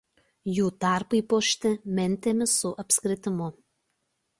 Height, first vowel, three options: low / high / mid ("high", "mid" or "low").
high